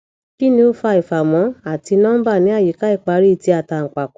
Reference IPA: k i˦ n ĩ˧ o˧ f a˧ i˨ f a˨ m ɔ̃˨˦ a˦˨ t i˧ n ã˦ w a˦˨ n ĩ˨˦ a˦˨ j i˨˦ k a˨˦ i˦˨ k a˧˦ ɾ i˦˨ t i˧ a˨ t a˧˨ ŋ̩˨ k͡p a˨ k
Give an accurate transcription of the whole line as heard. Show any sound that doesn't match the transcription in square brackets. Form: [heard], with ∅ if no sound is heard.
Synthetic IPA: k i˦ n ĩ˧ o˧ f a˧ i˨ f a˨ m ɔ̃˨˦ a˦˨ t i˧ n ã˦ [b] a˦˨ n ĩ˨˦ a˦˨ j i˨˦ k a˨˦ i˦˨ [k͡p] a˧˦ ɾ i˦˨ t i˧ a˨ t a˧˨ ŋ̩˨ k͡p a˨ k